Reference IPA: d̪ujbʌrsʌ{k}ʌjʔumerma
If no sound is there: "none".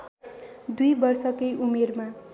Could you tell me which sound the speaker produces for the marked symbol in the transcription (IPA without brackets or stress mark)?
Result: k